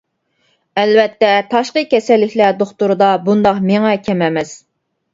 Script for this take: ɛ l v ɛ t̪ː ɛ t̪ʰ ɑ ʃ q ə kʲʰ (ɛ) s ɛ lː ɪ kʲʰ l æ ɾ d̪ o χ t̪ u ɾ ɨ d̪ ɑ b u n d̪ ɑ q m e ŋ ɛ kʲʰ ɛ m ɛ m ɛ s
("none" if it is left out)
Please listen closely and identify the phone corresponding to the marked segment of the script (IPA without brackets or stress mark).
ɛ